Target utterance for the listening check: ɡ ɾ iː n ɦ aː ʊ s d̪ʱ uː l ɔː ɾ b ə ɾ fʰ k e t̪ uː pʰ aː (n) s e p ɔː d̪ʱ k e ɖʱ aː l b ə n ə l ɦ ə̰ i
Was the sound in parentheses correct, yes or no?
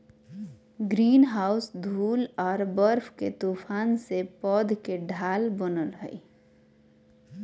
yes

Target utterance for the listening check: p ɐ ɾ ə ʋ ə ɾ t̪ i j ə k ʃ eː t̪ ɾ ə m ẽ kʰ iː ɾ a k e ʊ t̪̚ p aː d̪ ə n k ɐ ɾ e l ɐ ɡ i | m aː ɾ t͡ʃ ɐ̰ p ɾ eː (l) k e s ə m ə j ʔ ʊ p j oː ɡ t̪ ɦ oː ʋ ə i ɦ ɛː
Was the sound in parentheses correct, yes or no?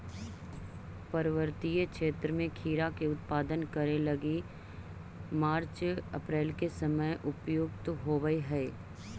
yes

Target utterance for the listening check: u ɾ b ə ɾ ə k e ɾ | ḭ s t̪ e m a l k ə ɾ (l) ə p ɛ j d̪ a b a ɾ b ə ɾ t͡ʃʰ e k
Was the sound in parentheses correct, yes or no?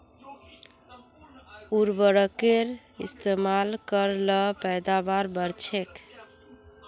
yes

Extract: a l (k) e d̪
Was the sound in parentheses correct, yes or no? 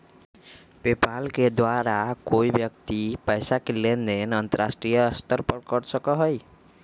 yes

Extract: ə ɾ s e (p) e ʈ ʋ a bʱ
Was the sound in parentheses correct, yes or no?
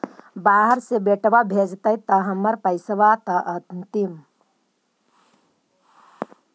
no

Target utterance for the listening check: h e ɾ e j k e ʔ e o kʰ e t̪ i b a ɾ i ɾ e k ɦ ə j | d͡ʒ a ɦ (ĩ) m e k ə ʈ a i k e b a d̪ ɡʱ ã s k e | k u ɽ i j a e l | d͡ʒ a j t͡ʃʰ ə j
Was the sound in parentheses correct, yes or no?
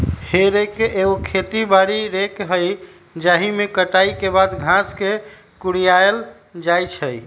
no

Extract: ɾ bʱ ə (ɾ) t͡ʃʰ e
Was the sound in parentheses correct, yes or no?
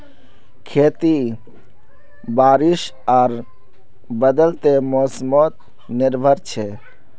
yes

